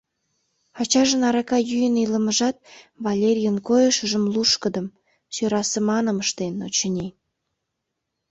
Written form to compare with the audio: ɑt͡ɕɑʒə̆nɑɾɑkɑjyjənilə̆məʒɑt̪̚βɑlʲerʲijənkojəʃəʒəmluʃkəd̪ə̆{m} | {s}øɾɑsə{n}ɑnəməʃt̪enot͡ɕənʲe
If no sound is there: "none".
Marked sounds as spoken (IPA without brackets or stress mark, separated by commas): m, s, m